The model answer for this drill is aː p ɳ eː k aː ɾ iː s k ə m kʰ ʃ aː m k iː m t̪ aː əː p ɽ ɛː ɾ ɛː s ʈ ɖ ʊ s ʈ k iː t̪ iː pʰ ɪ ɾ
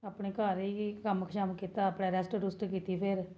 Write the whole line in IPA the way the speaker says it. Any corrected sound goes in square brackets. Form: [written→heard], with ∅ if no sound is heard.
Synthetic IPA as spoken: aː p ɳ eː k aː ɾ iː [s→∅] k ə m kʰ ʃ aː m k iː [m→∅] t̪ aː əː p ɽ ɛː ɾ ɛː s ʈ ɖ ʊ s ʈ k iː t̪ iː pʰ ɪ ɾ